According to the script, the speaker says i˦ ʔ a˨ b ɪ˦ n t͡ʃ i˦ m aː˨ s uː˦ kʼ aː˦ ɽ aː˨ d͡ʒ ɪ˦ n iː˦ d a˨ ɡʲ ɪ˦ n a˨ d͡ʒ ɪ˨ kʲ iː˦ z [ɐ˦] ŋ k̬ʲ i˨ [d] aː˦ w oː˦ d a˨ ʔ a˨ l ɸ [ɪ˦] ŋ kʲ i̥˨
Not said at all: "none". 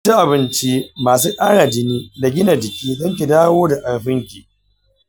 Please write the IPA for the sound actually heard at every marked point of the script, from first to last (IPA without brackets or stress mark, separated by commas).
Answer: ɐ˦, d, ɪ˦